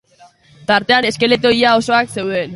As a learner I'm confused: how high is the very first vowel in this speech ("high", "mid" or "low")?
low